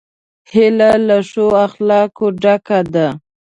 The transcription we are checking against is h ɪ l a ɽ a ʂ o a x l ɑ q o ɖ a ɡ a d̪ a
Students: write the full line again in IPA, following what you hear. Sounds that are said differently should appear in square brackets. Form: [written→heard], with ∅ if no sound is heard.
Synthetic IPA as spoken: h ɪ l a [ɽ→l] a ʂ o a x l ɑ [q→k] o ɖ a [ɡ→k] a d̪ a